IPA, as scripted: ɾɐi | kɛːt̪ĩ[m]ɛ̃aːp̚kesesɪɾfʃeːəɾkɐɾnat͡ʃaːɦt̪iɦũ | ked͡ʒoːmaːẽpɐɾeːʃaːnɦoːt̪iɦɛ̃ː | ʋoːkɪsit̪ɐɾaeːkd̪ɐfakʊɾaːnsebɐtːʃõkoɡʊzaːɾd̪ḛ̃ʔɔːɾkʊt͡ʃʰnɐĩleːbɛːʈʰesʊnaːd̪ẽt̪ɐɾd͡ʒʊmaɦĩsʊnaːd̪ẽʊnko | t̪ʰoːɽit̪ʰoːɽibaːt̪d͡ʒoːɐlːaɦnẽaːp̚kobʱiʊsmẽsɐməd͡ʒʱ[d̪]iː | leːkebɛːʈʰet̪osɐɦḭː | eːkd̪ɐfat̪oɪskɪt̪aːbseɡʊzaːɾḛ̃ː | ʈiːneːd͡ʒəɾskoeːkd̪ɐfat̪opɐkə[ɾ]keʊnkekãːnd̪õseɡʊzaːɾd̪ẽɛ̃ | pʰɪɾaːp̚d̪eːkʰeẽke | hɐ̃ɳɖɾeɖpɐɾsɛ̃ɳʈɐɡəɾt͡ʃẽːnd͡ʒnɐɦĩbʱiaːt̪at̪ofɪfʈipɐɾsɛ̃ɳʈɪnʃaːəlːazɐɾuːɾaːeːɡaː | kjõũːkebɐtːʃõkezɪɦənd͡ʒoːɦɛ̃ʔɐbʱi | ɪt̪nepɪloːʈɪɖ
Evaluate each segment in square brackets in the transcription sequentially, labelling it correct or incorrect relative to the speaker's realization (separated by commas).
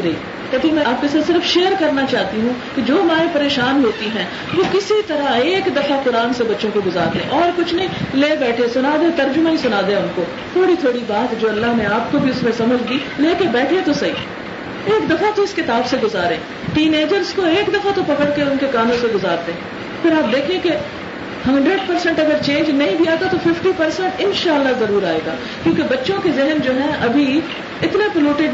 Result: correct, correct, incorrect